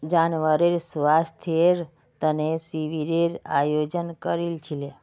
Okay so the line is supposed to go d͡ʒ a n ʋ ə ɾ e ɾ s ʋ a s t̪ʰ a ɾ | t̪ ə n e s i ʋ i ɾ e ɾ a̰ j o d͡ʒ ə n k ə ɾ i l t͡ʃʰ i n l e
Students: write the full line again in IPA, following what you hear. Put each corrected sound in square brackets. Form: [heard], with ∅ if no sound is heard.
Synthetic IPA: d͡ʒ a n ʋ ə ɾ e ɾ s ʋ a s t̪ʰ [e] ɾ | t̪ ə n e s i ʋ i ɾ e ɾ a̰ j o d͡ʒ ə n k ə ɾ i l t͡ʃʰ i [∅] l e